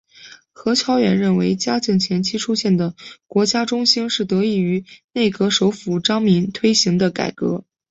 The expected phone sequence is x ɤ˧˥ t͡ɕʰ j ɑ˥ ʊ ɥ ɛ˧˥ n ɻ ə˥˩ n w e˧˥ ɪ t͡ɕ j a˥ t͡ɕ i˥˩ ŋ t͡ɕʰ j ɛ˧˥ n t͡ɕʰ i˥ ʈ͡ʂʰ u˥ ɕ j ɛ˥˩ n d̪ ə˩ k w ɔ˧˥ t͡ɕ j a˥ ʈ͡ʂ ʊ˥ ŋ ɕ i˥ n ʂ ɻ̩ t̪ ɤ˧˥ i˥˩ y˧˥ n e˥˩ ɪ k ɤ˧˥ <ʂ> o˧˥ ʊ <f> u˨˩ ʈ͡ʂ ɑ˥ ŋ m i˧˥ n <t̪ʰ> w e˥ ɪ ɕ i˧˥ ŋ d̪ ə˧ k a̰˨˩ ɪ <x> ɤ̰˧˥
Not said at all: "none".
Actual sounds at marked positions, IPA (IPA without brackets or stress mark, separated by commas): ʂ, f, t̪ʰ, k